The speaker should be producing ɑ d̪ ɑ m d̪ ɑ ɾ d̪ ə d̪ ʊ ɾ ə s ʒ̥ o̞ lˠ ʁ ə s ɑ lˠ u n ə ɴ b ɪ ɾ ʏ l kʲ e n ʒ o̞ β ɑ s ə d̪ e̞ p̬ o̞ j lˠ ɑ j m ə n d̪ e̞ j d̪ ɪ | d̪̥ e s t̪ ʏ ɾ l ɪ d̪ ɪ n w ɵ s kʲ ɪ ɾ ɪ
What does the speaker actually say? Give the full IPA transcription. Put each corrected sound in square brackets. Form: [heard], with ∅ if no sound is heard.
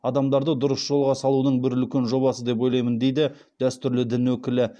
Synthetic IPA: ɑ d̪ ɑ m d̪ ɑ ɾ d̪ ə d̪ ʊ ɾ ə s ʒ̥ o̞ lˠ ʁ [ɑ] s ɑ lˠ u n ə ɴ b ɪ ɾ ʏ l kʲ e n ʒ o̞ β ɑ s ə d̪ e̞ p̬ o̞ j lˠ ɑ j m ə n d̪ e̞ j d̪ ɪ | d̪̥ [æ] s t̪ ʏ ɾ l ɪ d̪ ɪ n w ɵ [∅] kʲ ɪ [l] ɪ